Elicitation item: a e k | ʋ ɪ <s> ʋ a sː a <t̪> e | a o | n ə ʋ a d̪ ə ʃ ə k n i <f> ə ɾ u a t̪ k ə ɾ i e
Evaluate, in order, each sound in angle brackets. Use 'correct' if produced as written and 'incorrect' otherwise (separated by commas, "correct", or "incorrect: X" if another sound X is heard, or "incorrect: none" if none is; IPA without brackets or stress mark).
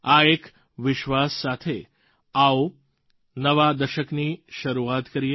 incorrect: ʃ, incorrect: t̪ʰ, incorrect: ʃ